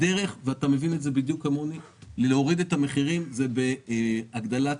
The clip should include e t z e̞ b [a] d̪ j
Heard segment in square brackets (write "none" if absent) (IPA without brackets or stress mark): i